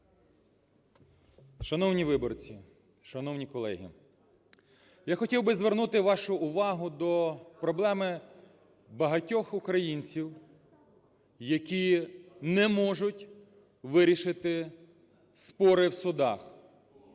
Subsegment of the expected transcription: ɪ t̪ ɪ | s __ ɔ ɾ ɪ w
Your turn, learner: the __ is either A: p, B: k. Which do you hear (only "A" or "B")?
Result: A